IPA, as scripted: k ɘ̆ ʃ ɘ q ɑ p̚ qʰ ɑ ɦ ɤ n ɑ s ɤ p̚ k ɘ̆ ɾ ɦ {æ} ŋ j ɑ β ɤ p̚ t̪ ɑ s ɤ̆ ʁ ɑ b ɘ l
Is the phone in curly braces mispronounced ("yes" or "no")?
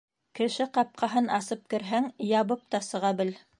no